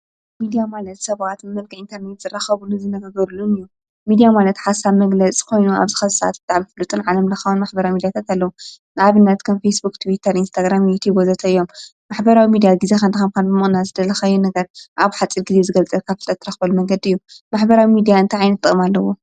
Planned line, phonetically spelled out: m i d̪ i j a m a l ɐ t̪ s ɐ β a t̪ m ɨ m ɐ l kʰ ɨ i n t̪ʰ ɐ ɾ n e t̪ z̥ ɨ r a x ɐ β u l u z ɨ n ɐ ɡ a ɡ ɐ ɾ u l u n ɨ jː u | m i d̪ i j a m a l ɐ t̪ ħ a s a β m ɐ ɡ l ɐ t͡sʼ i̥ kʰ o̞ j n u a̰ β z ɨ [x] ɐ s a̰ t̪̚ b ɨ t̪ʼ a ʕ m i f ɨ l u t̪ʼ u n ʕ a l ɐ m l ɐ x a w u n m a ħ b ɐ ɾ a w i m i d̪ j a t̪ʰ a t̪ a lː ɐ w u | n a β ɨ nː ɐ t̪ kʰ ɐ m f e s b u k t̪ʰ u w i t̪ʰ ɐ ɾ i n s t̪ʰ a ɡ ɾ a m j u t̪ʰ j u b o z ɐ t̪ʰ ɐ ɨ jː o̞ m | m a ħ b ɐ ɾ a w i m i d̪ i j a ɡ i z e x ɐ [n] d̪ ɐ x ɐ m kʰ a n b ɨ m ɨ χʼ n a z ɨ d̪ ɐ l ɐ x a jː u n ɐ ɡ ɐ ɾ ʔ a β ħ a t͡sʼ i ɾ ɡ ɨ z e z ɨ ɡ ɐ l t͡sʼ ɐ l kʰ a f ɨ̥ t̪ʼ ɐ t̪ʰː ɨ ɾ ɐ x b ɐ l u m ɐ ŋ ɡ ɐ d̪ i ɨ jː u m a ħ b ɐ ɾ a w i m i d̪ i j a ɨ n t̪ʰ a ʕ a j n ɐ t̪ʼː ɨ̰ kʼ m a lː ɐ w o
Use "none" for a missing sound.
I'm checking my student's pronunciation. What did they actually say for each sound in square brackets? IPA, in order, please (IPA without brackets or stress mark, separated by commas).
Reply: x, n